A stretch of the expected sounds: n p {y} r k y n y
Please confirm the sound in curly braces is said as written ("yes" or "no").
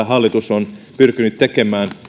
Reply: yes